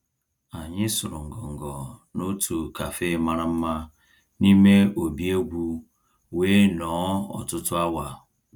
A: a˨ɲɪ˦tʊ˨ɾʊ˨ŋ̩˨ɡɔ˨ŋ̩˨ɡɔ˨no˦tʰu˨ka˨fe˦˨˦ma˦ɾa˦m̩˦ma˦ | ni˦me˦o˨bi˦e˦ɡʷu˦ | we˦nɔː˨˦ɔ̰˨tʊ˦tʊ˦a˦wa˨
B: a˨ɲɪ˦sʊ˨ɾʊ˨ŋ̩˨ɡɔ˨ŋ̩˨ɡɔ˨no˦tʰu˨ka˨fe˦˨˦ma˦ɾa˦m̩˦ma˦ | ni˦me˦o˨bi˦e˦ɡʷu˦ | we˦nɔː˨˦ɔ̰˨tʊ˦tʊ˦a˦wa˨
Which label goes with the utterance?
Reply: B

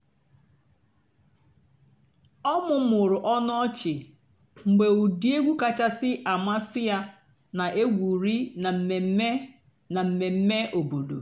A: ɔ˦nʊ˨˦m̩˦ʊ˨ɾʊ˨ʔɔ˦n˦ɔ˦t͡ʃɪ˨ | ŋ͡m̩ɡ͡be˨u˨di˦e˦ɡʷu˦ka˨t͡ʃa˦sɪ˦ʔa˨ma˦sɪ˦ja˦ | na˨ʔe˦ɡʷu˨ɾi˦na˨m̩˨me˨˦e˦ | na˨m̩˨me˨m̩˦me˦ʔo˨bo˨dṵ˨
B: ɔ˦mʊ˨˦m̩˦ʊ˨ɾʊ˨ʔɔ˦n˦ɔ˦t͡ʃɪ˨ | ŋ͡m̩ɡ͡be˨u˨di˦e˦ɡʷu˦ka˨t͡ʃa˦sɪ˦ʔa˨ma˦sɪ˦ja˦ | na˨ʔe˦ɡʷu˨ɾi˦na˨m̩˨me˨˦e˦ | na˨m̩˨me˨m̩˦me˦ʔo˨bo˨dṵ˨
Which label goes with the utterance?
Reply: B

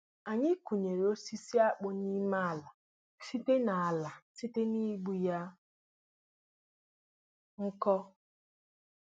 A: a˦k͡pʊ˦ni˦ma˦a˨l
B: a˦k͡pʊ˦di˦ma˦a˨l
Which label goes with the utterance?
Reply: A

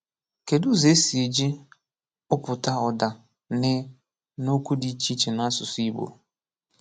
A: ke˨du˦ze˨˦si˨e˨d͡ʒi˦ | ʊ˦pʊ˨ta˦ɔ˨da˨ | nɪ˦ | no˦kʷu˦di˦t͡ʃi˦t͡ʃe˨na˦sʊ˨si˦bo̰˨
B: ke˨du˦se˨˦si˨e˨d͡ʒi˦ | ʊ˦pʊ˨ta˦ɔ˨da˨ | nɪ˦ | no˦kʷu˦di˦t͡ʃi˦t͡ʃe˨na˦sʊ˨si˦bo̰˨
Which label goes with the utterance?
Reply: A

